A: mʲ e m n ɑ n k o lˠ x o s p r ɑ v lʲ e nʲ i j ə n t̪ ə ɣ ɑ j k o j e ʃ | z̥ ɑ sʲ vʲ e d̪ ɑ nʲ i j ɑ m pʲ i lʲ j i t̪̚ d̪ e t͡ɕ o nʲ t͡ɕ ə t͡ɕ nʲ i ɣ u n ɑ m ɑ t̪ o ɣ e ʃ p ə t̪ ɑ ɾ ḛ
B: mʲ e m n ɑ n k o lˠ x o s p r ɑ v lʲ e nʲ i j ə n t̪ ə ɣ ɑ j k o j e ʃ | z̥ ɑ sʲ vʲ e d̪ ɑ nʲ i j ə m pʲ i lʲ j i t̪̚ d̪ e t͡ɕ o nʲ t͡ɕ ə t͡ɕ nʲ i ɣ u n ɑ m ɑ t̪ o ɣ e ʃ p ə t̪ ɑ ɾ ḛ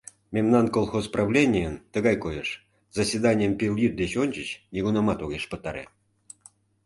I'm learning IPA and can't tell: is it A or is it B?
B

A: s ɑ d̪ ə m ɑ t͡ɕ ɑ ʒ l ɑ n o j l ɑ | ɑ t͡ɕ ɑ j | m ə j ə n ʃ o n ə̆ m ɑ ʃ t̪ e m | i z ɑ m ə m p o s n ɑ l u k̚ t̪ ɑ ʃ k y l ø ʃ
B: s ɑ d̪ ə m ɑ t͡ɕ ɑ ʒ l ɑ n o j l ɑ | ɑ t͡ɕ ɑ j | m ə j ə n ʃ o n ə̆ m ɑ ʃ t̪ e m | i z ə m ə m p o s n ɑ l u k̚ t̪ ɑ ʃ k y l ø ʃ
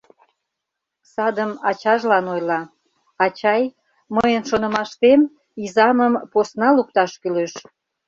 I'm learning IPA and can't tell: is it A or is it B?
A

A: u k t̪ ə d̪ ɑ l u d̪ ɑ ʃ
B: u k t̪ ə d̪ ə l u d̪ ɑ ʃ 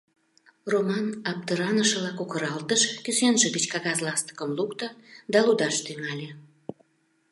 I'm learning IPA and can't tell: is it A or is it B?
A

